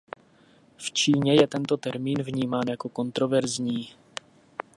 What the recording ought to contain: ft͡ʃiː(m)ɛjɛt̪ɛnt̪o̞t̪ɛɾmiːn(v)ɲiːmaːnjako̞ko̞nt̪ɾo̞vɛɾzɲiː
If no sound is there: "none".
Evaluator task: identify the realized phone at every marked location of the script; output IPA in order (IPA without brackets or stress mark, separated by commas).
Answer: ɲ, v